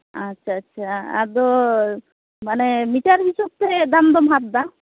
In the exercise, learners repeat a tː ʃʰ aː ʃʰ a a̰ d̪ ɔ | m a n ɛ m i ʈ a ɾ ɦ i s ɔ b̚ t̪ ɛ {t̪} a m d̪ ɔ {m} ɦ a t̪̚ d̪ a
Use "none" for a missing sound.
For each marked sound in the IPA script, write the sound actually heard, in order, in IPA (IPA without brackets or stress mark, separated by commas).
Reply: d̪, m